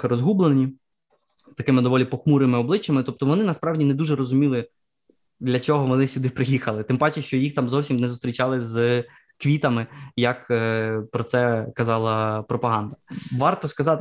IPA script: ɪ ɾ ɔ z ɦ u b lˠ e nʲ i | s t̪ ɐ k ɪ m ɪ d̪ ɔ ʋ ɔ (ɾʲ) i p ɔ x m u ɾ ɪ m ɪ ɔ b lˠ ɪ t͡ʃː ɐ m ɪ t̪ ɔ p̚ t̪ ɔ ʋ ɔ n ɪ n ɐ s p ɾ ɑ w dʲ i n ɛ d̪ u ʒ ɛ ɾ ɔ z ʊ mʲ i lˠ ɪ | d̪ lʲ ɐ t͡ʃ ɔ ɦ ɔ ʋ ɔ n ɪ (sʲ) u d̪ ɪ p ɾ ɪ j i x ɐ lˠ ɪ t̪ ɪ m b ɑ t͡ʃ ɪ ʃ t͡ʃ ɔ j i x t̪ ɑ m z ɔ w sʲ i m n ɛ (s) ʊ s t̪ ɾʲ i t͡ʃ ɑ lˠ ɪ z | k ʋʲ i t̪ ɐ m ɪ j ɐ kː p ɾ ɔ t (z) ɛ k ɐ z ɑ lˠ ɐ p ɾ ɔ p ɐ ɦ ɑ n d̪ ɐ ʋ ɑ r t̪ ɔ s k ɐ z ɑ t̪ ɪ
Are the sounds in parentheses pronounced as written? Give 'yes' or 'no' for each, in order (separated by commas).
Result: no, yes, no, no